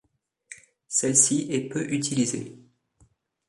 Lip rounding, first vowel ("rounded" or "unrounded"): unrounded